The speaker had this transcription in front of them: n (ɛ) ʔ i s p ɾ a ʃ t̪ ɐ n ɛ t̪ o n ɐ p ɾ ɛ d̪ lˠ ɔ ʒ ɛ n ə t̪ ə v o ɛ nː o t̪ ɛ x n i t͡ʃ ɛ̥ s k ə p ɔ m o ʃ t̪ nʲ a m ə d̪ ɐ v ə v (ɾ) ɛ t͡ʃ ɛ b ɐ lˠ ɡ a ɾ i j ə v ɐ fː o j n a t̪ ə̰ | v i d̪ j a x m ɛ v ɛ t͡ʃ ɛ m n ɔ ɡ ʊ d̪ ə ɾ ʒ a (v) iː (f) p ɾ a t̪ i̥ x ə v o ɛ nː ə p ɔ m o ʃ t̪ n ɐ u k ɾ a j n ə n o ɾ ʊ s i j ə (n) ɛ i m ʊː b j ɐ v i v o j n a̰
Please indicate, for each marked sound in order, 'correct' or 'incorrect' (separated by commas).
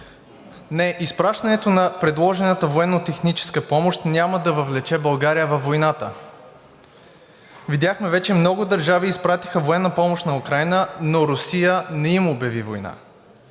correct, incorrect, correct, incorrect, correct